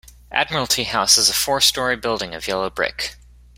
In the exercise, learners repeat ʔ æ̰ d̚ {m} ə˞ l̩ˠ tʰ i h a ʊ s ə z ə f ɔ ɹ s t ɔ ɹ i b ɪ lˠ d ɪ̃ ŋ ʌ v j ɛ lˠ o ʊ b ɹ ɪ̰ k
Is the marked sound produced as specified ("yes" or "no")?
yes